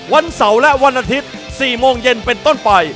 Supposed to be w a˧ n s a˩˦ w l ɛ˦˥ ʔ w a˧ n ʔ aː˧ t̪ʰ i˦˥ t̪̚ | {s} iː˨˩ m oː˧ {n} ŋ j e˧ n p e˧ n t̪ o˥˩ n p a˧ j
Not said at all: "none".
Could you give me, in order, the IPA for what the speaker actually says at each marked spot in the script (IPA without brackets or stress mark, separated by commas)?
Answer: s, none